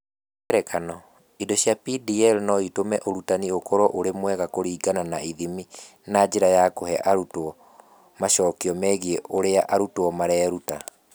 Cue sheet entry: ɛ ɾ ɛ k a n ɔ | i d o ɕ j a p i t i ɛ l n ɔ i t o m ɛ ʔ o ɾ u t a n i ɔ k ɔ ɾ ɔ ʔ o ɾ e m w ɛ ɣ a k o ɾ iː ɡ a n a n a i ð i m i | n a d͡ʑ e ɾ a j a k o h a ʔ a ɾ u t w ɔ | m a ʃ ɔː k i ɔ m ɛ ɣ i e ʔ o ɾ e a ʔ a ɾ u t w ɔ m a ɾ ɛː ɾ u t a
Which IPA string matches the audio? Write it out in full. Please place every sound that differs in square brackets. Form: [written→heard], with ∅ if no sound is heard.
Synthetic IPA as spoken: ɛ ɾ ɛ k a n ɔ | i d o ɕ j a p i [t→d] i ɛ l n ɔ i t o m ɛ ʔ o ɾ u t a n i [ɔ→o] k ɔ ɾ ɔ ʔ o ɾ e m w ɛ ɣ a k o ɾ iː ɡ a n a n a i ð i m i | n a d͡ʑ e ɾ a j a k o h [a→ɛ] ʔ a ɾ u t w ɔ | m a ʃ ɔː k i ɔ m ɛ ɣ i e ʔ o ɾ e a ʔ a ɾ u t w ɔ m a ɾ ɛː ɾ u t a